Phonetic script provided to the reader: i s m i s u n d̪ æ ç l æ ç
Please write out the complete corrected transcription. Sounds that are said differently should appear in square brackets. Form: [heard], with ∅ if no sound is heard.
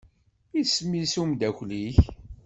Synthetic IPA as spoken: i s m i s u [m] d̪ æ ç l [i] ç

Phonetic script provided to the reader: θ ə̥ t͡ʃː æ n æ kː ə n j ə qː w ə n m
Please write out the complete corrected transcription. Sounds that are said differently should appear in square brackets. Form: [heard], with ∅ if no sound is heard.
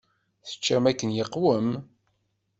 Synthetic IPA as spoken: θ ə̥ t͡ʃː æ [m] æ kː ə n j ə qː w ə [∅] m

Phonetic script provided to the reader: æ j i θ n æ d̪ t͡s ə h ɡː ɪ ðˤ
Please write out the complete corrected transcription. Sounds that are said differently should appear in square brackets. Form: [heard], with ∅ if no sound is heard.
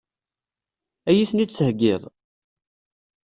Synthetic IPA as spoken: æ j i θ n [i] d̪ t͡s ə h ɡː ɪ ðˤ

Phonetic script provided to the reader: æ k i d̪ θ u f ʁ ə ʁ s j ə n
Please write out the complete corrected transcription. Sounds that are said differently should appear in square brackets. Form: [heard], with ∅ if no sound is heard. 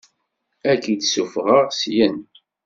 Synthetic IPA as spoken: æ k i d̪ [s] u f ʁ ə ʁ s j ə n

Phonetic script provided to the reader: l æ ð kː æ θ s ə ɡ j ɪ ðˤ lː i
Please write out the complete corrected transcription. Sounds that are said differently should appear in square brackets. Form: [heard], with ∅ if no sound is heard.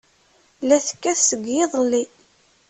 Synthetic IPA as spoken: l æ [θ] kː æ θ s ə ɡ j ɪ ðˤ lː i

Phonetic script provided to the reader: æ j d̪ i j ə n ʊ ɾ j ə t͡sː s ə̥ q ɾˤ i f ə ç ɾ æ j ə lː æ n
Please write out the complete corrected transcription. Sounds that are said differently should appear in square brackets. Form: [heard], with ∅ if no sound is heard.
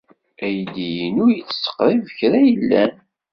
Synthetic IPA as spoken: æ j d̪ i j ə n ʊ ɾ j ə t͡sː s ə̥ q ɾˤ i [v] ə ç ɾ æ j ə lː æ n

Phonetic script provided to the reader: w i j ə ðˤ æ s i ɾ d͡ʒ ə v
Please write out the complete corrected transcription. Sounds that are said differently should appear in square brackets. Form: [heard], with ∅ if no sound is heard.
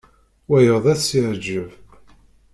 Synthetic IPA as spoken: w [æ] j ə ðˤ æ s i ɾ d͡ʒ ə v

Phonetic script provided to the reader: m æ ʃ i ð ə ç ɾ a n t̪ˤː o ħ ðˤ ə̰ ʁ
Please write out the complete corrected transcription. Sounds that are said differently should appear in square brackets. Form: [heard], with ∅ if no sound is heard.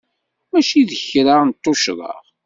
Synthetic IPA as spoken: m æ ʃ i ð ə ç ɾ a n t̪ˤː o [ʃ] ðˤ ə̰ ʁ

